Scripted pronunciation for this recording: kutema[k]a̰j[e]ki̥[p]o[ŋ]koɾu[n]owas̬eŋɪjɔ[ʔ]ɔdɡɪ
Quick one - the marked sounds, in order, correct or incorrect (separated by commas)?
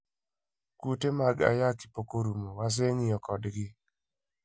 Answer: incorrect, incorrect, correct, incorrect, incorrect, incorrect